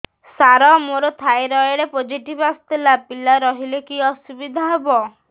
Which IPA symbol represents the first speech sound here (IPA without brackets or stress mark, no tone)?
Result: s